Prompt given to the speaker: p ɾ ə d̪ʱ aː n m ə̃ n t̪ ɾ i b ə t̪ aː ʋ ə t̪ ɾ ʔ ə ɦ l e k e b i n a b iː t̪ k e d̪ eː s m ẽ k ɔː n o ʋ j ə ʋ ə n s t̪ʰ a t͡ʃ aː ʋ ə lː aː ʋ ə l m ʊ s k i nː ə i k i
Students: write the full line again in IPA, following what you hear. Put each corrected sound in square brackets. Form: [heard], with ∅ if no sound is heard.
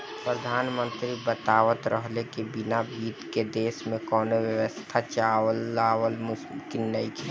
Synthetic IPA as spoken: p ɾ ə d̪ʱ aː n m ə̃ n t̪ ɾ i b ə t̪ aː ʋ ə t̪ ɾ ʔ ə ɦ l e k e b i n a b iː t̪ k e d̪ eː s m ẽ k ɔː n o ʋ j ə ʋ ə [∅] s t̪ʰ a t͡ʃ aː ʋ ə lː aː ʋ ə l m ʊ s k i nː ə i k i